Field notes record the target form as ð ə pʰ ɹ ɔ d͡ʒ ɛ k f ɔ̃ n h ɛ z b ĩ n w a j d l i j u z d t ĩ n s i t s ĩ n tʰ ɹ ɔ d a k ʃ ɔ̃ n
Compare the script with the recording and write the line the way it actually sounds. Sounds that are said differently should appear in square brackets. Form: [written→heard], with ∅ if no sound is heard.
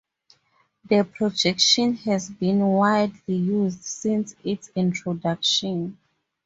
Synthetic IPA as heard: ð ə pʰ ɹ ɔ d͡ʒ ɛ k [f→ʃ] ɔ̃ n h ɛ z b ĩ n w a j d l i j u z d [t→s] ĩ n s i t s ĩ n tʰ ɹ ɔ d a k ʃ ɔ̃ n